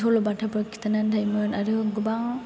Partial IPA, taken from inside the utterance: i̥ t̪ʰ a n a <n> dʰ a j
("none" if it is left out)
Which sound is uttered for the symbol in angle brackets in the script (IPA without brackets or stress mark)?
n